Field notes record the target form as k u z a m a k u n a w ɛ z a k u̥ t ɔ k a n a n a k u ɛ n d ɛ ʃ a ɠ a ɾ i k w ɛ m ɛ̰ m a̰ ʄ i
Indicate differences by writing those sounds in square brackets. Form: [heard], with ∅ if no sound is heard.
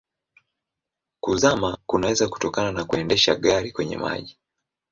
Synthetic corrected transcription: k u z a m a k u n a w ɛ z a k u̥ t ɔ k a n a n a k u ɛ n d ɛ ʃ a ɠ a ɾ i k w ɛ [ɲ] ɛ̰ m a̰ ʄ i

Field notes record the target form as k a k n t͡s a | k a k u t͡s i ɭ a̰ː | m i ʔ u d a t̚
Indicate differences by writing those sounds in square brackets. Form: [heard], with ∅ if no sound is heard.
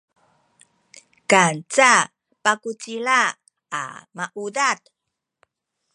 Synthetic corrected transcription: k a [∅] n t͡s a | [p] a k u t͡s i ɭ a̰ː | m [a] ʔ u d a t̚

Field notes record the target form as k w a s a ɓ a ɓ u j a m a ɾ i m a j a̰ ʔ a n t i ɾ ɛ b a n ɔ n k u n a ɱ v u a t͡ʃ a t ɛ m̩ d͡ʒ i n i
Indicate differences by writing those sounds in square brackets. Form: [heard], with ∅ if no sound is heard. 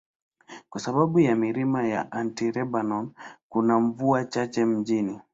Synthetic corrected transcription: k w a s a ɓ a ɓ u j a m [i] ɾ i m a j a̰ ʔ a n t i ɾ ɛ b a n ɔ n k u n a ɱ v u a t͡ʃ a [t͡ʃ] ɛ m̩ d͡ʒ i n i

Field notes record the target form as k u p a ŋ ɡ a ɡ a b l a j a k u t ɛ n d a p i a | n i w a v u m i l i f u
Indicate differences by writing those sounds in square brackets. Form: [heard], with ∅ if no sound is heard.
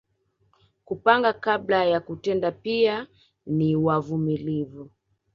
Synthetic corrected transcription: k u p a ŋ ɡ a [k] a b l a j a k u t ɛ n d a p i a | n i w a v u m i l i [v] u

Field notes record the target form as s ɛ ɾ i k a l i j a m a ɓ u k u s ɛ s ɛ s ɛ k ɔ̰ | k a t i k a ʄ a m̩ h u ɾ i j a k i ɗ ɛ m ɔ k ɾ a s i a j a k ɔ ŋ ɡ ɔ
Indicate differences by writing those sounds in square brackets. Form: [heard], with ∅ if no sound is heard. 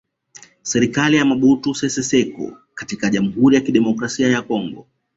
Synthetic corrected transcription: s ɛ ɾ i k a l i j a m a ɓ u [t] u s ɛ s ɛ s ɛ k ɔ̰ | k a t i k a ʄ a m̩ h u ɾ i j a k i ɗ ɛ m ɔ k ɾ a s i a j a k ɔ ŋ ɡ ɔ

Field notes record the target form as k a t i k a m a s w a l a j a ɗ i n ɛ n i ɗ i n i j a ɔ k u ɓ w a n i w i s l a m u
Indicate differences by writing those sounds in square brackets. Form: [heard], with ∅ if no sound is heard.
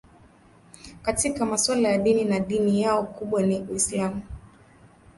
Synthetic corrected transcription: k a t i k a m a s w a l a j a ɗ i n [i] n [a] ɗ i n i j a ɔ k u ɓ w a n i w i s l a m u

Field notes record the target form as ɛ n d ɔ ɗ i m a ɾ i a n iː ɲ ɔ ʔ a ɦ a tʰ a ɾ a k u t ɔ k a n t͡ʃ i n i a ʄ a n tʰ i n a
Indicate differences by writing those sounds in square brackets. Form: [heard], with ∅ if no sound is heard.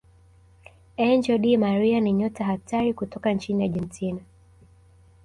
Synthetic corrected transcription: ɛ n [d͡ʒ] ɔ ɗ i m a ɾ i a n [i] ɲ ɔ [t] a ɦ a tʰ a ɾ [i] k u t ɔ k a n t͡ʃ i n i a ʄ [ɛ] n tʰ i n a

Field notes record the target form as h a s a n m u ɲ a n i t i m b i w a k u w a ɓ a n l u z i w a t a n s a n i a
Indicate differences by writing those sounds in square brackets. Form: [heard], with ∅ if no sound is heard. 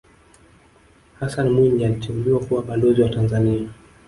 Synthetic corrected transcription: h a s a n m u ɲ a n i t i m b i w a k u w a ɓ a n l [ɔ] z i w a t a n [z] a n i a

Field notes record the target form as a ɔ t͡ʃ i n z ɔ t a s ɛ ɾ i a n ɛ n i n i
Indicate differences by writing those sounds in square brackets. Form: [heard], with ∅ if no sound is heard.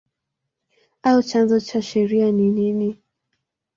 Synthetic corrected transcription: a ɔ t͡ʃ [a] n z ɔ [t͡ʃ] a [ʃ] ɛ ɾ i a n [i] n i n i

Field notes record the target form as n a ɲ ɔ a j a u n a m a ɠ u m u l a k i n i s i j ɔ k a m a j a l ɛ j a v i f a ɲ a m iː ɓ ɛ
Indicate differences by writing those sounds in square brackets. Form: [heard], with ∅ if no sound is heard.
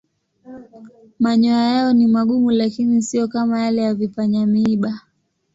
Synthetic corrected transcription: [m] a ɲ ɔ a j a [ɔ] n [i] m a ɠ u m u l a k i n i s i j ɔ k a m a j a l ɛ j a v i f a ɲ a m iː ɓ [a]

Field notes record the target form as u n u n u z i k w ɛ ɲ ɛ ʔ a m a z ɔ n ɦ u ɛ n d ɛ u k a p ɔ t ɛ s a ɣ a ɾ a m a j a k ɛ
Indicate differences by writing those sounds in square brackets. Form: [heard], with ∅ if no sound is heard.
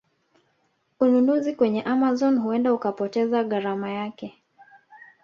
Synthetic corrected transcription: u n u n u z i k w ɛ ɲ ɛ ʔ a m a z ɔ n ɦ u ɛ n d [a] u k a p ɔ t ɛ [z] a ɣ a ɾ a m a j a k ɛ

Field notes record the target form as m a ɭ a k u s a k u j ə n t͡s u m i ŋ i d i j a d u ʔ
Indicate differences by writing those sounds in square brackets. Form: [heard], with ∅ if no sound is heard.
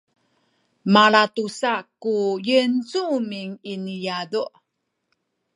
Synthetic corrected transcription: m a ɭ a [t] u s a k u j ə n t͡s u m i ŋ i [n] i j a d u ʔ

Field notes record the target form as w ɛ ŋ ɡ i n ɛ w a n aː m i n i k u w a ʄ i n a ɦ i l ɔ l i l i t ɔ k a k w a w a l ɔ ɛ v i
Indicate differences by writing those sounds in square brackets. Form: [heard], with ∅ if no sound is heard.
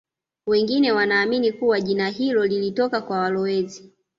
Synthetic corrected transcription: w ɛ ŋ ɡ i n ɛ w a n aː m i n i k u w a ʄ i n a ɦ i l ɔ l i l i t ɔ k a k w a w a l ɔ ɛ [z] i

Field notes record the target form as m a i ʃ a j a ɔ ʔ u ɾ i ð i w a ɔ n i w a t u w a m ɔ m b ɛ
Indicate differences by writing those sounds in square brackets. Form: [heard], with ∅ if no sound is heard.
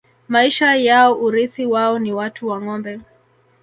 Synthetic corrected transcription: m a i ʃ a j a ɔ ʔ u ɾ i [θ] i w a ɔ n i w a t u w a [ŋ] ɔ m b ɛ

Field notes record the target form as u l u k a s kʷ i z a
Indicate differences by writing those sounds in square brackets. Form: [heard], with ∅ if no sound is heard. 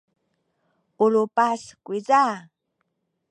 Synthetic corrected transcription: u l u [p] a s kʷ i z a

